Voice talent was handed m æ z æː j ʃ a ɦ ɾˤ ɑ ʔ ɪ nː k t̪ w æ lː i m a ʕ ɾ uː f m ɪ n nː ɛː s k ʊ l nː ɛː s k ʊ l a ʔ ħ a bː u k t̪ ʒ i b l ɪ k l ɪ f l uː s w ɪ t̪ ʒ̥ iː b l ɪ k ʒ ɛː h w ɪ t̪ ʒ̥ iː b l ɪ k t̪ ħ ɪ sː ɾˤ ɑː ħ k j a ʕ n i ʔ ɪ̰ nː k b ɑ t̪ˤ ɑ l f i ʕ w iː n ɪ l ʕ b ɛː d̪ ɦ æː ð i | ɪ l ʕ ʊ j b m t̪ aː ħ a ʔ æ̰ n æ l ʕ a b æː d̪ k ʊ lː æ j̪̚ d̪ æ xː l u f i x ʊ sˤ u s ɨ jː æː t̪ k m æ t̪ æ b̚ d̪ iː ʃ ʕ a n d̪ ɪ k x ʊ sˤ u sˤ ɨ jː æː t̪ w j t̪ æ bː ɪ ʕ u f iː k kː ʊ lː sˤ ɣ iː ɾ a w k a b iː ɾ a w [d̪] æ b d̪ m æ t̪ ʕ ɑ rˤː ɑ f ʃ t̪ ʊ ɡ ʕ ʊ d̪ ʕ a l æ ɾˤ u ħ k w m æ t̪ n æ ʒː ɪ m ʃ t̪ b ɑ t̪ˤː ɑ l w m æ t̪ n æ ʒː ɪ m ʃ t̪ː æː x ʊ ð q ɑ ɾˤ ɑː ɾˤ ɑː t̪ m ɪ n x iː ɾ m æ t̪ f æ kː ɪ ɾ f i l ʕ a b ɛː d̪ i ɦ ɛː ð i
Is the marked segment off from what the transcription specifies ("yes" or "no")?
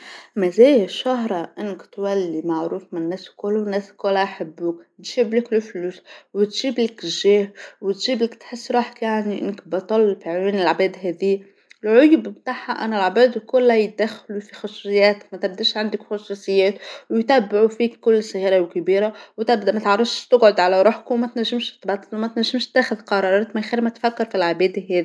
yes